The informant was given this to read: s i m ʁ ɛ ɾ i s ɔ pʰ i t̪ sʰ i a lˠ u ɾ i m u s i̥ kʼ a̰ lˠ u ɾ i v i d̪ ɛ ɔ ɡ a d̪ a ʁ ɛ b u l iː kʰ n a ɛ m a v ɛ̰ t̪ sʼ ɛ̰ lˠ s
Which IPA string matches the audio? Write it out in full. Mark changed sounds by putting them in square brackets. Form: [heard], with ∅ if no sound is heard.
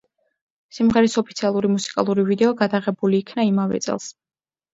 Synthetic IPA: s i m ʁ ɛ ɾ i s ɔ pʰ i t̪ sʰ i a lˠ u ɾ i m u s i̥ kʼ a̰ lˠ u ɾ i v i d̪ ɛ ɔ ɡ a d̪ a ʁ ɛ b u l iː kʰ n a [i] m a v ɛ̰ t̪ sʼ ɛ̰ lˠ s